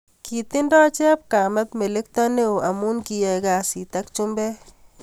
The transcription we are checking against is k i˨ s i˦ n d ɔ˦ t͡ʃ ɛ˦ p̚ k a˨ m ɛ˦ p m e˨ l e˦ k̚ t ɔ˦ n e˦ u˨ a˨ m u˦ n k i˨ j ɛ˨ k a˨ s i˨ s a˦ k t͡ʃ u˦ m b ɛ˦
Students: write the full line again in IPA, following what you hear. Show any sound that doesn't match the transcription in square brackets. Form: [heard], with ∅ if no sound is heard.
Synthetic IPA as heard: k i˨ [t] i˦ n d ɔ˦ t͡ʃ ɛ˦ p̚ k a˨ m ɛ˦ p m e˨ l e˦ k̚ t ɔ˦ n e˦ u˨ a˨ m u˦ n k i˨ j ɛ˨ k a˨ s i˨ [t] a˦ k t͡ʃ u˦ m b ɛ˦